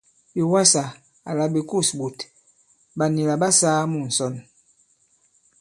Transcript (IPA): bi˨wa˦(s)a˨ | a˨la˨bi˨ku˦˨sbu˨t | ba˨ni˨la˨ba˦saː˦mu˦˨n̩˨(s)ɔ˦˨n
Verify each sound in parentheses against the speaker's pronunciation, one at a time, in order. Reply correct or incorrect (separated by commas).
correct, correct